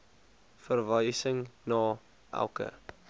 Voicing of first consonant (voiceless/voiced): voiceless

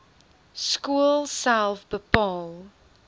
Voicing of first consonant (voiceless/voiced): voiceless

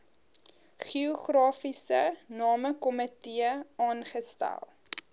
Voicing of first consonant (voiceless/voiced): voiceless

